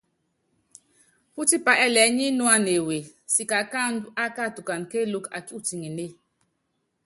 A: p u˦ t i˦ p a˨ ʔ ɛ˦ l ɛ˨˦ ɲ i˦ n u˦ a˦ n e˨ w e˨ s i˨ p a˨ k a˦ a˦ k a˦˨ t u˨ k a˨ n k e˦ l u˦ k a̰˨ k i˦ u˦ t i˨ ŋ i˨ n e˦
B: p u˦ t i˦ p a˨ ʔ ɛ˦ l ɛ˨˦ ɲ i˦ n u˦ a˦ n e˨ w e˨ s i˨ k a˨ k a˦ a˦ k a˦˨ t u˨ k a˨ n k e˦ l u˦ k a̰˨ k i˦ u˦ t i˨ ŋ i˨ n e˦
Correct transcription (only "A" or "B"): B